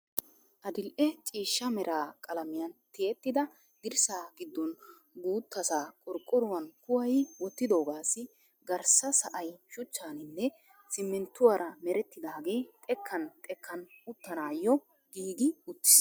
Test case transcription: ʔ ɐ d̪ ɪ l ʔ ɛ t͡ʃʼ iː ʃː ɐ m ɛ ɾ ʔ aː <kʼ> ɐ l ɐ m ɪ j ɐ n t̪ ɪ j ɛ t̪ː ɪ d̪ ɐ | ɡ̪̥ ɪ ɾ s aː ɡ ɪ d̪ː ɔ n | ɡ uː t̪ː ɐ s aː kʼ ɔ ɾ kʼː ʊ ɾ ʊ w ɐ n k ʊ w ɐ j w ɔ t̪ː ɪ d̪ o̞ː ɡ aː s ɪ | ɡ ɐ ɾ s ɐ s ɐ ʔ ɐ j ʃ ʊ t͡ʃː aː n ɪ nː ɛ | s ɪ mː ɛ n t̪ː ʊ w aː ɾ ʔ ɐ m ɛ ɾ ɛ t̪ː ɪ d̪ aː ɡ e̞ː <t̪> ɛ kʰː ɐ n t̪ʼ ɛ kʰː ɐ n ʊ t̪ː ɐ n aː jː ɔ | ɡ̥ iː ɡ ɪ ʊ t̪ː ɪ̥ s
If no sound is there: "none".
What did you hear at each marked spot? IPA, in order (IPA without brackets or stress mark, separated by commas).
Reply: kʼ, t̪ʼ